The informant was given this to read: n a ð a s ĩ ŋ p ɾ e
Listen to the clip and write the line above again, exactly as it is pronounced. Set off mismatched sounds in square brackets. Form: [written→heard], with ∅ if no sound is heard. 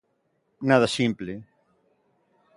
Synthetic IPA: n a ð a s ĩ [ŋ→m] p [ɾ→l] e